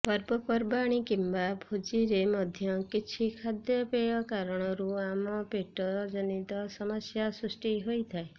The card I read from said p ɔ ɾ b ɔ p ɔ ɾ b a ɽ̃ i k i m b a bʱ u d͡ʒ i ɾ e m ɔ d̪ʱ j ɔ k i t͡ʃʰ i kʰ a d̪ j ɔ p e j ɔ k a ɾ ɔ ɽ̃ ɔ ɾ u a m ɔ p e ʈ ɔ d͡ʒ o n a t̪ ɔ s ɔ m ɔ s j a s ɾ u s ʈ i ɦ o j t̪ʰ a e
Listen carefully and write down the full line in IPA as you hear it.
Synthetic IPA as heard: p ɔ ɾ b ɔ p ɔ ɾ b a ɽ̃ i k i m b a bʱ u d͡ʒ i ɾ e m ɔ d̪ʱ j ɔ k i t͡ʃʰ i kʰ a d̪ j ɔ p e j ɔ k a ɾ ɔ ɽ̃ ɔ ɾ u a m ɔ p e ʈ ɔ d͡ʒ ɔ n i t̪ ɔ s ɔ m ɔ s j a s ɾ u s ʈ i ɦ o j t̪ʰ a e

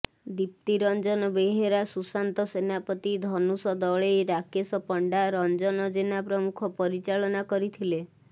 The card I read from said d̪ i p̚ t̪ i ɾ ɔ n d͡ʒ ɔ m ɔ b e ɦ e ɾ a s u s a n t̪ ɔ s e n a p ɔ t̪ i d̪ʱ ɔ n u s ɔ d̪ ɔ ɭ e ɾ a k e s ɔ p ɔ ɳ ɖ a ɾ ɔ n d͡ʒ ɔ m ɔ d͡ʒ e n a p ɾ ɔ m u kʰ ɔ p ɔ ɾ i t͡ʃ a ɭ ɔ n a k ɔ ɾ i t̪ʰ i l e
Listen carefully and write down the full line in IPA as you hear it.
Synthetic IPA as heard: d̪ i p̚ t̪ i ɾ ɔ n d͡ʒ ɔ n ɔ b e ɦ e ɾ a s u s a n t̪ ɔ s e n a p ɔ t̪ i d̪ʱ ɔ n u s ɔ d̪ ɔ ɭ e ɾ a k e s ɔ p ɔ ɳ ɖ a ɾ ɔ n d͡ʒ ɔ n ɔ d͡ʒ e n a p ɾ ɔ m u kʰ ɔ p ɔ ɾ i t͡ʃ a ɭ ɔ n a k ɔ ɾ i t̪ʰ i l e

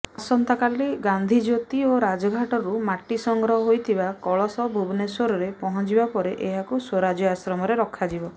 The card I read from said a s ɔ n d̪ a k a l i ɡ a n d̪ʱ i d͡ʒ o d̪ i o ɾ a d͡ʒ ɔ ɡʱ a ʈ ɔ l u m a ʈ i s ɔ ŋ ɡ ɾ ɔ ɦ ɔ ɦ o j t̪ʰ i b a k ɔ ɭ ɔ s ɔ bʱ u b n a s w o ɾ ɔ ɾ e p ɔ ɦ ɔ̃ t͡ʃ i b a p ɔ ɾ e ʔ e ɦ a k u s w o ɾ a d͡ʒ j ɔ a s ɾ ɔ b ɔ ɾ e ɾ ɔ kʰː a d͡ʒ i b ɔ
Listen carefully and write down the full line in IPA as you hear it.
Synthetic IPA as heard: a s ɔ n t̪ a k a l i ɡ a n d̪ʱ i d͡ʒ o t̪ i o ɾ a d͡ʒ ɔ ɡʱ a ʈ ɔ ɾ u m a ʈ i s ɔ ŋ ɡ ɾ ɔ ɦ ɔ ɦ o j t̪ʰ i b a k ɔ ɭ ɔ s ɔ bʱ u b n e s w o ɾ ɔ ɾ e p ɔ ɦ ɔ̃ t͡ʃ i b a p ɔ ɾ e ʔ e ɦ a k u s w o ɾ a d͡ʒ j ɔ a s ɾ ɔ m ɔ ɾ e ɾ ɔ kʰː a d͡ʒ i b ɔ

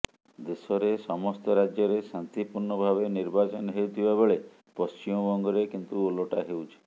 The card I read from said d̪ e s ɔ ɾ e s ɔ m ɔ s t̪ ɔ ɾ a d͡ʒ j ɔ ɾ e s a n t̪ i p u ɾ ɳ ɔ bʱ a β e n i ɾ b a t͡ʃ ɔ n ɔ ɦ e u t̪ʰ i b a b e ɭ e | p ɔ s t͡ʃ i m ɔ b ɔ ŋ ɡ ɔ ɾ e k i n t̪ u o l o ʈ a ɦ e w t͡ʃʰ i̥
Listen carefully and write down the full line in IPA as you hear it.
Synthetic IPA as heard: d̪ e s ɔ ɾ e s ɔ m ɔ s t̪ ɔ ɾ a d͡ʒ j ɔ ɾ e s a n t̪ i p u ɾ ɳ ɔ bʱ a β e n i ɾ b a t͡ʃ ɔ n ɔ ɦ e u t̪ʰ i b a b e ɭ e | p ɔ s t͡ʃ i m ɔ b ɔ ŋ ɡ ɔ ɾ e k i n t̪ u o l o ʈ a ɦ e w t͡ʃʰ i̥

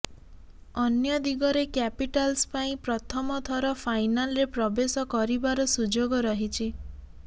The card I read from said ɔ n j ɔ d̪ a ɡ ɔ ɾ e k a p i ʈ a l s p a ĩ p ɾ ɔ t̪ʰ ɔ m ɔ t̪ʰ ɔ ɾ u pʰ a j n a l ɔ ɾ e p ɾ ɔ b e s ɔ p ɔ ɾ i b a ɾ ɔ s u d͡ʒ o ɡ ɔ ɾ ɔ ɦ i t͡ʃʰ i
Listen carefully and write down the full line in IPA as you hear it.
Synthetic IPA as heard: ɔ n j ɔ d̪ i ɡ ɔ ɾ e k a p i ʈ a l s p a ĩ p ɾ ɔ t̪ʰ ɔ m ɔ t̪ʰ ɔ ɾ ɔ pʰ a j n a l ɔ ɾ e p ɾ ɔ b e s ɔ k ɔ ɾ i b a ɾ ɔ s u d͡ʒ o ɡ ɔ ɾ ɔ ɦ i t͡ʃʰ i

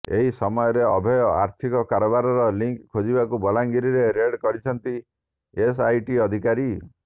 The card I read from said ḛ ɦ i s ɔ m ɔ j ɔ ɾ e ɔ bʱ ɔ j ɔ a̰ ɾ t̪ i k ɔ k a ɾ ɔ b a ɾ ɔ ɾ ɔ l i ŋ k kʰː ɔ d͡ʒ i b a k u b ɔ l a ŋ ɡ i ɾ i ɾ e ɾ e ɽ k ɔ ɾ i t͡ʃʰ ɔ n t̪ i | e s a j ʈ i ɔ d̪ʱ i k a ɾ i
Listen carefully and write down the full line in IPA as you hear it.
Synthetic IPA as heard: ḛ ɦ i s ɔ m ɔ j ɔ ɾ e ɔ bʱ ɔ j ɔ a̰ ɾ t̪ʰ i k ɔ k a ɾ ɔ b a ɾ ɔ ɾ ɔ l i ŋ k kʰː o d͡ʒ i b a k u b ɔ l a ŋ ɡ i ɾ i ɾ e ɾ e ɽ k ɔ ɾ i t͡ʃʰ ɔ n t̪ i | e s a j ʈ i ɔ d̪ʱ i k a ɾ i

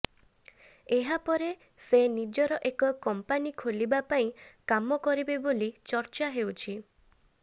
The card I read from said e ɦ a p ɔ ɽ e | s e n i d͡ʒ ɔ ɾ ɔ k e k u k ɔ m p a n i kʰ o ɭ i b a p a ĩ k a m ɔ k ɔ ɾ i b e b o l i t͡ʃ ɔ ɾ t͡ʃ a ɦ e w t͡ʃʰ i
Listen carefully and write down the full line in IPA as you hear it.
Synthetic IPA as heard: e ɦ a p ɔ ɾ e | s e n i d͡ʒ ɔ ɾ ɔ ʔ e k ɔ k ɔ m p a n i kʰ o l i b a p a ĩ k a m ɔ k ɔ ɾ i b e b o l i t͡ʃ ɔ ɾ t͡ʃ a ɦ e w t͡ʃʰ i

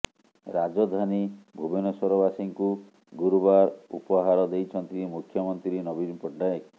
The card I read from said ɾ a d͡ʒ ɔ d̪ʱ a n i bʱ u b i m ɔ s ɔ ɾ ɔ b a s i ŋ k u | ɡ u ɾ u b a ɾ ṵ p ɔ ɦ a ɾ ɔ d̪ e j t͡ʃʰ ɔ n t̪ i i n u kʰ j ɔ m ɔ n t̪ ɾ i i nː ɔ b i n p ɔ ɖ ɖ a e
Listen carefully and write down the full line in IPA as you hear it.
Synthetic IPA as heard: ɾ a d͡ʒ ɔ d̪ʱ a n i bʱ u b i n ɔ s ɔ ɾ ɔ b a s i ŋ k u | ɡ u ɾ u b a ɾ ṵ p ɔ ɦ a ɾ ɔ d̪ e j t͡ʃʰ ɔ n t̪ i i m u kʰ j ɔ m ɔ n t̪ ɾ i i n ɔ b i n p ɔ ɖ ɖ a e

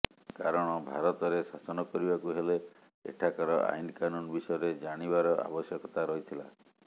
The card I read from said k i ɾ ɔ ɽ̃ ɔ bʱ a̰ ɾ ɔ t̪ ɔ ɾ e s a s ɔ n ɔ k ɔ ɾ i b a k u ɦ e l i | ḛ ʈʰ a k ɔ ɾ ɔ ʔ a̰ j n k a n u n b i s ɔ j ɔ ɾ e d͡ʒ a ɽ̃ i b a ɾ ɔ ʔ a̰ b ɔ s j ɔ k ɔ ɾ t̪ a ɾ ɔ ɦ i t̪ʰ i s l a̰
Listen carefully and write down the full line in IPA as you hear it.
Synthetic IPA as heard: k a ɾ ɔ ɽ̃ ɔ bʱ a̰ ɾ ɔ t̪ ɔ ɾ e s a s ɔ n ɔ k ɔ ɾ i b a k u ɦ e l e | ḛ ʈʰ a k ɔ ɾ ɔ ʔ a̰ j n k a n u n b i s ɔ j ɔ ɾ e d͡ʒ a ɽ̃ i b a ɾ ɔ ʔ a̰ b ɔ s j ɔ k ɔ t̪ a ɾ ɔ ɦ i t̪ʰ i l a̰

